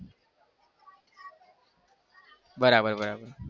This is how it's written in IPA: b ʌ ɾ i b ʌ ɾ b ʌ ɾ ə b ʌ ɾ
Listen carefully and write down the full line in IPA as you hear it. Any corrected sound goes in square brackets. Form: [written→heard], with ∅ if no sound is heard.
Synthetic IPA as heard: b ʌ ɾ [i→a] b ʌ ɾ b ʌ ɾ [ə→a] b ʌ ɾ